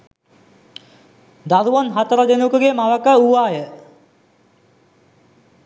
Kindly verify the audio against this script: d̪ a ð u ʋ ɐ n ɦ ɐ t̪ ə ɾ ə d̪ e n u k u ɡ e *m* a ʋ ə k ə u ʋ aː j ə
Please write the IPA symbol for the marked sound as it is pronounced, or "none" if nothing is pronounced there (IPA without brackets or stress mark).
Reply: m